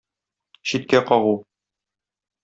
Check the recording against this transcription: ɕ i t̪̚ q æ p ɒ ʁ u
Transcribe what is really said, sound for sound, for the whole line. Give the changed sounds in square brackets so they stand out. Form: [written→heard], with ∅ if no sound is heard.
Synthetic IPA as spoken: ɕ i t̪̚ [q→k] æ [p→q] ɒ ʁ u